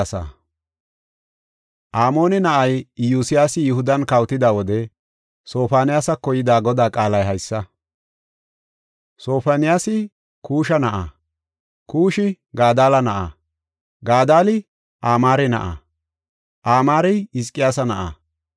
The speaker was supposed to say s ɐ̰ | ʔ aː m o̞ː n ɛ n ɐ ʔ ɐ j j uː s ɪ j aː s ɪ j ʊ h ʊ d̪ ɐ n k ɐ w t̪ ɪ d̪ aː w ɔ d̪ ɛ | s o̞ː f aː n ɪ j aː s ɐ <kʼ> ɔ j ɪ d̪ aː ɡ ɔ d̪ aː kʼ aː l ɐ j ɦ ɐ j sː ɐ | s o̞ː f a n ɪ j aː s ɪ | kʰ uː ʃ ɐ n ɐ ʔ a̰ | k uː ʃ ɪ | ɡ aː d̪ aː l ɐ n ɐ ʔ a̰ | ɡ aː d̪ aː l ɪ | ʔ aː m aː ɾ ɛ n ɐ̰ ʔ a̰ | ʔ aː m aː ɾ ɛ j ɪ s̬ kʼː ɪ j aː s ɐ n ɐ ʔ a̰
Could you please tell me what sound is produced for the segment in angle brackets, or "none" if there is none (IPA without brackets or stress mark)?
k